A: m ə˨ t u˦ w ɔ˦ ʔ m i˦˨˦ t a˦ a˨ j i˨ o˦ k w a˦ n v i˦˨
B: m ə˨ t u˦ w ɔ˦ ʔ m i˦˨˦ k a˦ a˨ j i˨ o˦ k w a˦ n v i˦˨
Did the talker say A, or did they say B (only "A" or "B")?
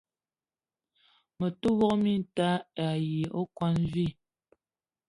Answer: A